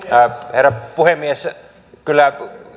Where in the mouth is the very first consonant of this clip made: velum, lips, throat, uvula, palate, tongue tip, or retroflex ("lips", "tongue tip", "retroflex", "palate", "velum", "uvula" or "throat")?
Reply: throat